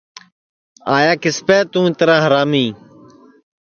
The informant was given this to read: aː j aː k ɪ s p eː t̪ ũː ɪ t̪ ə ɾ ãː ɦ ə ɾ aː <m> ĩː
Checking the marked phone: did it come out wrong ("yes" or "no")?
no